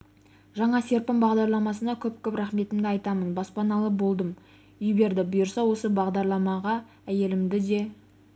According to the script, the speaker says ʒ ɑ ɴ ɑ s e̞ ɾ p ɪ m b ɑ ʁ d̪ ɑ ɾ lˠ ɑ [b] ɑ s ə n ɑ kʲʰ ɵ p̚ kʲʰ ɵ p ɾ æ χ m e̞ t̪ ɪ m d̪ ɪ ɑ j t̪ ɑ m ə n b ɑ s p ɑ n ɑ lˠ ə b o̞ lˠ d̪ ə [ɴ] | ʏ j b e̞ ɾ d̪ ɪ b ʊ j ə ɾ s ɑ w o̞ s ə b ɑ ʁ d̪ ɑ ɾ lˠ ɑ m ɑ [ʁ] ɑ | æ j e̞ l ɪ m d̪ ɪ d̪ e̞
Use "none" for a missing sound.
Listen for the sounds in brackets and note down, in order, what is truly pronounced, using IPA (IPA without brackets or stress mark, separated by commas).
m, m, ʁ